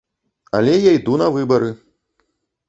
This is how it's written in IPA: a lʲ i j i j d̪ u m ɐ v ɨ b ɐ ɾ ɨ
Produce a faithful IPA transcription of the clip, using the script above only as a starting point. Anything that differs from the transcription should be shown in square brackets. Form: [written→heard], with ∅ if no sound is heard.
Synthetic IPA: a lʲ [i→ɛ] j [i→a] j d̪ u [m→n] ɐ v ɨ b ɐ ɾ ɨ